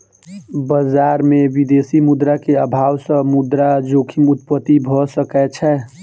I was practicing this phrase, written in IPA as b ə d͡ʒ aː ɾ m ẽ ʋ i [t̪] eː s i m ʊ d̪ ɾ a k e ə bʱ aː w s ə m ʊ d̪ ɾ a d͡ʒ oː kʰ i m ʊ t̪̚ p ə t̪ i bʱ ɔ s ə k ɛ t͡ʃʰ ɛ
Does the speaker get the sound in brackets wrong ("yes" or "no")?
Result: yes